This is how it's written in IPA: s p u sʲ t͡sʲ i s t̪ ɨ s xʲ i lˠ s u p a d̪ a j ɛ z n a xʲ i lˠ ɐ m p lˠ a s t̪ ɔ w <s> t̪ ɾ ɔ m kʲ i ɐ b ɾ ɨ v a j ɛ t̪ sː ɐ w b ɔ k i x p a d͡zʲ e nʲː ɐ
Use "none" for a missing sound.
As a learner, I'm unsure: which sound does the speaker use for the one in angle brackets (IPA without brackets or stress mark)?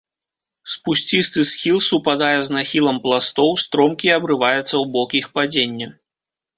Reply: s